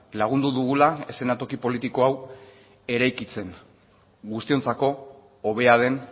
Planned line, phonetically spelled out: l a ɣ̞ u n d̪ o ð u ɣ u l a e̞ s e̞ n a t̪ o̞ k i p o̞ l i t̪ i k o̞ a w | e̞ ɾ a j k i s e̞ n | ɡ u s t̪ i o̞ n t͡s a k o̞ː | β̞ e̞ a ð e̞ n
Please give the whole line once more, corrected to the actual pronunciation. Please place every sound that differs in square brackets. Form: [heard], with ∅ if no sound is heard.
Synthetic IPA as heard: l a ɣ̞ u n d̪ [u] ð u ɣ u l a e̞ s e̞ n a t̪ o̞ k i p o̞ l i t̪ i k o̞ a w | e̞ ɾ a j k i [t͡s] e̞ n | ɡ u s t̪ i o̞ n t͡s a k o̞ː | β̞ e̞ a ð e̞ n